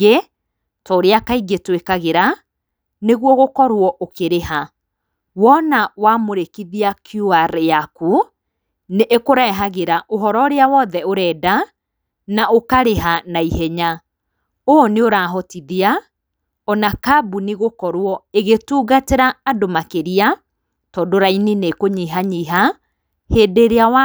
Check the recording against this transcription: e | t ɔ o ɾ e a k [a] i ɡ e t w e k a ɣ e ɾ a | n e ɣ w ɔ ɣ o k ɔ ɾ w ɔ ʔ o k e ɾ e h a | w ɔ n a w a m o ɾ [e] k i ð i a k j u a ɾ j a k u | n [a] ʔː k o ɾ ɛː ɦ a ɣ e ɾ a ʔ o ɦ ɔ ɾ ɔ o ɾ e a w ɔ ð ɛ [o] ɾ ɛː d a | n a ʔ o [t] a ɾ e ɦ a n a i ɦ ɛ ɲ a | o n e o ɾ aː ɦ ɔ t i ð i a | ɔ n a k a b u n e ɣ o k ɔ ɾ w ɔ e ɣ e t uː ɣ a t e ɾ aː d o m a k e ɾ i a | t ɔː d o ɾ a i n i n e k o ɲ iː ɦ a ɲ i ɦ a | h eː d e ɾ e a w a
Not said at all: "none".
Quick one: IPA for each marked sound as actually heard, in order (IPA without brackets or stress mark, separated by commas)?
a, e, e, o, k